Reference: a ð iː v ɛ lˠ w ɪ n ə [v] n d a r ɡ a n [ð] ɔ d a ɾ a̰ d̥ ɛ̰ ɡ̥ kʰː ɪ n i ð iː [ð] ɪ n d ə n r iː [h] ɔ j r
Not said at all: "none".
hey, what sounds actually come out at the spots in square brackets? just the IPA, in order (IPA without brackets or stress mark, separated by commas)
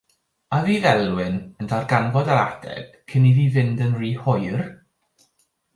none, v, v, h